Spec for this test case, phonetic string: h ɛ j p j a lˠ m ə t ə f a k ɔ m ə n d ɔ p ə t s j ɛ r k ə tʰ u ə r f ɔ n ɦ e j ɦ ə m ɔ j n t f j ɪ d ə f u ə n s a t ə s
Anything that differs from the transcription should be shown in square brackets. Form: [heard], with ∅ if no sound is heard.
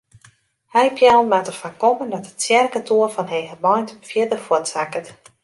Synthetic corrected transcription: h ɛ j p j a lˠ m [a] t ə f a k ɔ m ə n d ɔ [t] ə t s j ɛ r k ə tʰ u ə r f ɔ n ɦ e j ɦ ə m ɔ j n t f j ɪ d ə f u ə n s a [k] ə [t]